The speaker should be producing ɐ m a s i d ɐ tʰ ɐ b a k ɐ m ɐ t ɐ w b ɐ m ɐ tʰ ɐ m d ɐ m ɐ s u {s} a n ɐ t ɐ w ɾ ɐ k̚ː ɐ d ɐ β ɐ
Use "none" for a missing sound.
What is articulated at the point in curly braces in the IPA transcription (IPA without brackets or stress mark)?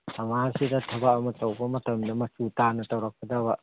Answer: t